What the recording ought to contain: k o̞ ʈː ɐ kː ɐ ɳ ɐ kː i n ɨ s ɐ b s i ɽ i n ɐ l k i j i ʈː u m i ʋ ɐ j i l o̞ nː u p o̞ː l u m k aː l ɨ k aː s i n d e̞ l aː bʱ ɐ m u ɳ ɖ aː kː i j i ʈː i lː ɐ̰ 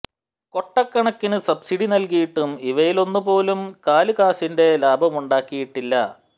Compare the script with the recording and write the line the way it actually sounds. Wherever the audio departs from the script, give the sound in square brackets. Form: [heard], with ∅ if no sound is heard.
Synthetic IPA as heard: k o̞ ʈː ɐ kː ɐ ɳ ɐ kː i n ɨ s ɐ b s i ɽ i n ɐ l k i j i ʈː u m i ʋ ɐ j i l o̞ nː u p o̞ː l u m k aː l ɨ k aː s i n d e̞ l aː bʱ ɐ m u ɳ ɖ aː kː i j i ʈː i lː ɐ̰